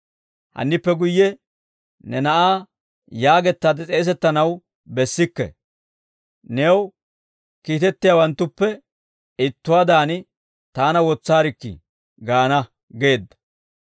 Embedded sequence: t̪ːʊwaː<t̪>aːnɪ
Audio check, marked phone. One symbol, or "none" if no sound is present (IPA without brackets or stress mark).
d̪